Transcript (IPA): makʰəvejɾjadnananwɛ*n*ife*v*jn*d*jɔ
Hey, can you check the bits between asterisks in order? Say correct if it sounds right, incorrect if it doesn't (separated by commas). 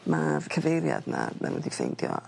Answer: incorrect, incorrect, correct